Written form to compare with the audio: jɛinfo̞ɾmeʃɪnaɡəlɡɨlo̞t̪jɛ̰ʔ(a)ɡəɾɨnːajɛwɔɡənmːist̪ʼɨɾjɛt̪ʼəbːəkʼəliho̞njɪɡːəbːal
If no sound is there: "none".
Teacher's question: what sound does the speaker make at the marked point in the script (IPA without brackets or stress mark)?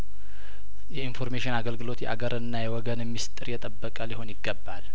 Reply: a